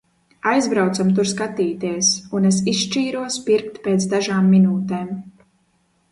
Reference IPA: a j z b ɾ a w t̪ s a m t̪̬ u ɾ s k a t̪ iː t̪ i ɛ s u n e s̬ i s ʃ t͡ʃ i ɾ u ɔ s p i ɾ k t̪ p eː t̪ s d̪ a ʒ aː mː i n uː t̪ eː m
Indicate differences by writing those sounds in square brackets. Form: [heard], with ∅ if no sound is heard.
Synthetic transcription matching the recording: a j z b ɾ a w t̪ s a m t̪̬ u ɾ s k a t̪ iː t̪ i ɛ s u n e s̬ i s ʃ t͡ʃ [iː] ɾ u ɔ s p i ɾ k t̪ p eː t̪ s d̪ a ʒ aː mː i n uː t̪ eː m